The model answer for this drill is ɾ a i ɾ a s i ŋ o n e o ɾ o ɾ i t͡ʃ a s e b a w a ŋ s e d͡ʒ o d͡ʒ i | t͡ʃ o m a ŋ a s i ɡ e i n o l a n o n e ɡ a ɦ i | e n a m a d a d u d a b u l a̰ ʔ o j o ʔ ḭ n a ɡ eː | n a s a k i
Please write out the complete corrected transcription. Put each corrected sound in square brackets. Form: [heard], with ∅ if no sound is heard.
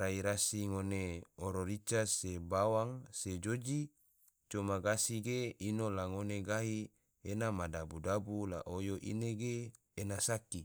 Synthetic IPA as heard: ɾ a i ɾ a s i ŋ o n e o ɾ o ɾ i t͡ʃ a s e b a w a ŋ s e d͡ʒ o d͡ʒ i | t͡ʃ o m a [ɡ] a s i ɡ e i n o l a [ŋ] o n e ɡ a ɦ i | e n a m a d a [b] u d a b u l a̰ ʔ o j o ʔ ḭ n [e] ɡ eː | n a s a k i